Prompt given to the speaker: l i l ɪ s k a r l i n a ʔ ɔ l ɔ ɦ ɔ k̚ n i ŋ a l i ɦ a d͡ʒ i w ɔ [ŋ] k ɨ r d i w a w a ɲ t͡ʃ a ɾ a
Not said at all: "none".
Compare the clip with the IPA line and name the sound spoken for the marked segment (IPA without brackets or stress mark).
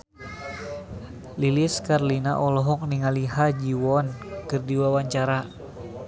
n